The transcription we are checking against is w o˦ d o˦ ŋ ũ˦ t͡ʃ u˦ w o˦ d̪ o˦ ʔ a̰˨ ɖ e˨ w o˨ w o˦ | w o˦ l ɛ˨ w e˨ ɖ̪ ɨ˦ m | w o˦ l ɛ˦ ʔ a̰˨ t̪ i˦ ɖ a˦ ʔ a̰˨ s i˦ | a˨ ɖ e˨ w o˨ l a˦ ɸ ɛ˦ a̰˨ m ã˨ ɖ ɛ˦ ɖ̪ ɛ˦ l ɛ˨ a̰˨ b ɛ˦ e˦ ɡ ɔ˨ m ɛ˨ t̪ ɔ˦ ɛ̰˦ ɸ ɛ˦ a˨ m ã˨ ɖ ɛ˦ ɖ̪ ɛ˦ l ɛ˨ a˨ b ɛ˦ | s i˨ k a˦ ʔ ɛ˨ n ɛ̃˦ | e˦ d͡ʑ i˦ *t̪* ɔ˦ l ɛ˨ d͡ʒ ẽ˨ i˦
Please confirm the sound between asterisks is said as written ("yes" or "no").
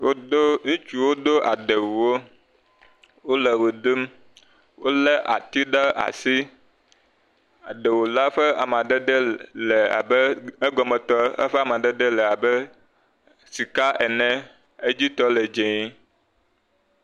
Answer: yes